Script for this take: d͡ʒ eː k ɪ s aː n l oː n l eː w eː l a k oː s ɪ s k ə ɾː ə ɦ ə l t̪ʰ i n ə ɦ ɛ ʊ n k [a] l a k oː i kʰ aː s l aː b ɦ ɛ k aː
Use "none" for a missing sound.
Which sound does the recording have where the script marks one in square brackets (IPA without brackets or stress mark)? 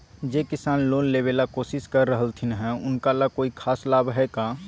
a